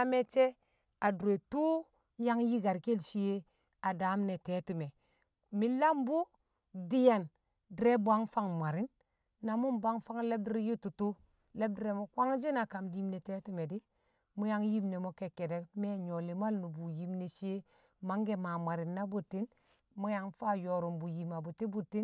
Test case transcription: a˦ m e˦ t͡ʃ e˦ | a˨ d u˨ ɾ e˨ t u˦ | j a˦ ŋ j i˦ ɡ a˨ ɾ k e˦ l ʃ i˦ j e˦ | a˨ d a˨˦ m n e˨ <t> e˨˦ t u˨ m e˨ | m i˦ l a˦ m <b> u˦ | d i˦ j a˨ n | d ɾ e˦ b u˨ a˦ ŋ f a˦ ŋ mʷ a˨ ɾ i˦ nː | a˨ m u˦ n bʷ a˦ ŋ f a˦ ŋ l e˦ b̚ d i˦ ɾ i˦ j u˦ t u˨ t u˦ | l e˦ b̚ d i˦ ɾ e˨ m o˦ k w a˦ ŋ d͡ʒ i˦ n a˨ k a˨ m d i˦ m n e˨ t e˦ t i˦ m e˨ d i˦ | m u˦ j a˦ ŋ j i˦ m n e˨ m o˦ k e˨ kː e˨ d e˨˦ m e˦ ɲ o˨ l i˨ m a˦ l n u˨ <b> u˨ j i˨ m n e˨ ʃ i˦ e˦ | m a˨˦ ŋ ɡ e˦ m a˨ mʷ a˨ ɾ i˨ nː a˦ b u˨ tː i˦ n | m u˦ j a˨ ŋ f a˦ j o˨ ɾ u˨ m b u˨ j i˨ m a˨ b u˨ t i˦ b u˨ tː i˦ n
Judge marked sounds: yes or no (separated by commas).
yes, yes, yes